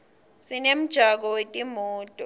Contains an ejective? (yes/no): yes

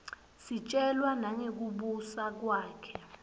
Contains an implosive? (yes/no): yes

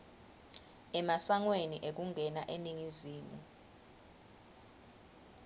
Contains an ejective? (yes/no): no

